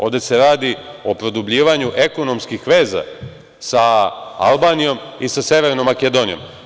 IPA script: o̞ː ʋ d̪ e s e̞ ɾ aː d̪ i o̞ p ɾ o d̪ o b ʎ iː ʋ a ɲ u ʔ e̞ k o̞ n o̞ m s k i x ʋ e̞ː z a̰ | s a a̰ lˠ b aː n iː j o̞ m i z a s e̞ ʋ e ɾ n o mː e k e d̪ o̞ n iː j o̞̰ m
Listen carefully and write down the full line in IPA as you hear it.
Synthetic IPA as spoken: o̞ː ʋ d̪ e s e̞ ɾ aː d̪ i o̞ p ɾ o d̪ u b ʎ iː ʋ a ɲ u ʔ e̞ k o̞ n o̞ m s k i x ʋ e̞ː z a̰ | s a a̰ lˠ b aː n i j o̞ m i s a s e̞ ʋ e ɾ n o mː a k e d̪ o̞ n i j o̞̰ m